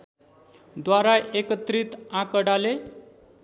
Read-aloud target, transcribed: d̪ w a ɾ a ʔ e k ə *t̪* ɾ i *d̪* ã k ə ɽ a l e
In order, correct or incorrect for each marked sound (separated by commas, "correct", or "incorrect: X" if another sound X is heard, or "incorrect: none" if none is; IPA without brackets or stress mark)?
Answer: correct, incorrect: t̪